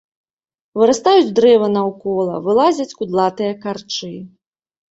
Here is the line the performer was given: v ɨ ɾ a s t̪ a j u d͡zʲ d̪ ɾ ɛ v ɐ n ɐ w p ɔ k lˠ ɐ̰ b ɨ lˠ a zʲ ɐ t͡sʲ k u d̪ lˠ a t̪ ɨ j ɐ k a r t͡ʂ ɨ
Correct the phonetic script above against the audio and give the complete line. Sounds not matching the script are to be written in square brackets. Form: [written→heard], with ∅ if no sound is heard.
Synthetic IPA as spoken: v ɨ ɾ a s t̪ a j u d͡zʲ d̪ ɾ ɛ v ɐ n ɐ w [p→k] ɔ [k→∅] lˠ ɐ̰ [b→v] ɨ lˠ a zʲ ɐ t͡sʲ k u d̪ lˠ a t̪ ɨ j ɐ k a r t͡ʂ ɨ